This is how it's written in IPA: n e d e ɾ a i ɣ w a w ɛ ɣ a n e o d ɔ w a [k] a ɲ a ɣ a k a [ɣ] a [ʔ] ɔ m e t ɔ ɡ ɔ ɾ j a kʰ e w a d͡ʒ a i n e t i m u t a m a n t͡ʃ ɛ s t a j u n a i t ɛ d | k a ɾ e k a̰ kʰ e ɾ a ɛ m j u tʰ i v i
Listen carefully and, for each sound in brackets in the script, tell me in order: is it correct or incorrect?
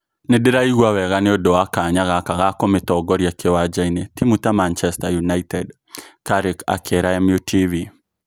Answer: correct, correct, incorrect

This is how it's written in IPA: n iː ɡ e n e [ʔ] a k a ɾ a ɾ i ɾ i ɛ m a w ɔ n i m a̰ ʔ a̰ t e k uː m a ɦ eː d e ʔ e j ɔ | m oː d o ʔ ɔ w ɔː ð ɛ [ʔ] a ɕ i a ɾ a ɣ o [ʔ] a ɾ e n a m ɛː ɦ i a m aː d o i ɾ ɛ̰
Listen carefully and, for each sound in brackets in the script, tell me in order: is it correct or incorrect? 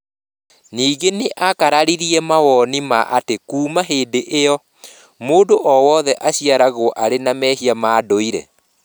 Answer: correct, correct, correct

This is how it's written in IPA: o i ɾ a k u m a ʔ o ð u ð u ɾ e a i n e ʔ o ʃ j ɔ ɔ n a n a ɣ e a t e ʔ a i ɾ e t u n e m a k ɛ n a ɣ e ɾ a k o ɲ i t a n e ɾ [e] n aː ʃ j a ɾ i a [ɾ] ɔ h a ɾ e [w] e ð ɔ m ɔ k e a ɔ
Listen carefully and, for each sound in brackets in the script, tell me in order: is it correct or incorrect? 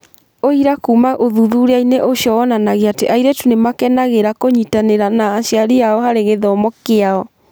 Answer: incorrect, incorrect, incorrect

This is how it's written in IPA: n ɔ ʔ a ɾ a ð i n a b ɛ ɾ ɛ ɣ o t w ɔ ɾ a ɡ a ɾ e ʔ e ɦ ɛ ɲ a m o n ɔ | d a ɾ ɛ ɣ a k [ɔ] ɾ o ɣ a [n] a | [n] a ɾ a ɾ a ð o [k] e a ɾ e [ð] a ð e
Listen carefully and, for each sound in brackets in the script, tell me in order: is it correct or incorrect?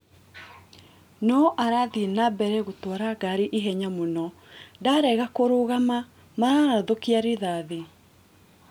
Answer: incorrect, incorrect, incorrect, correct, correct

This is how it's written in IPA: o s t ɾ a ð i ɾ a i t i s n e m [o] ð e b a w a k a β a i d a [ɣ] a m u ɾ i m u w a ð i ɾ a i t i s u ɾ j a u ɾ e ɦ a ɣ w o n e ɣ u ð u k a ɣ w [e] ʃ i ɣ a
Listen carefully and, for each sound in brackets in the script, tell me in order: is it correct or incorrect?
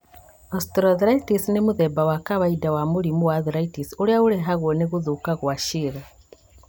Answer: incorrect, incorrect, incorrect

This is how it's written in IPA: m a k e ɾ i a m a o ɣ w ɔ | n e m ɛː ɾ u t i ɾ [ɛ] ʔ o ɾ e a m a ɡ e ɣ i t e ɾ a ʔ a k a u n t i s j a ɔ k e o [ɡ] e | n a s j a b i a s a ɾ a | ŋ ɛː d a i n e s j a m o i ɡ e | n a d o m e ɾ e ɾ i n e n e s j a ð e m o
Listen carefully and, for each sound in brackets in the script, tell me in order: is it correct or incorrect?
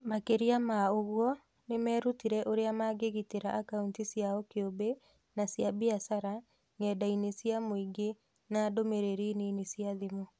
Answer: correct, incorrect

